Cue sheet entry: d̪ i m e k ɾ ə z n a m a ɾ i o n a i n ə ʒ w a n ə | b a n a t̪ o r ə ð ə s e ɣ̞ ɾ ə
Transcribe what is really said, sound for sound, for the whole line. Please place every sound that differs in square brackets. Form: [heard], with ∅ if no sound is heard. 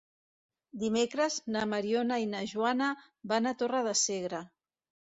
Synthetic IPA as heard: d̪ i m e k ɾ ə z n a m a ɾ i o n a i n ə ʒ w a n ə | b a n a t̪ o r ə ð ə s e ɣ̞ ɾ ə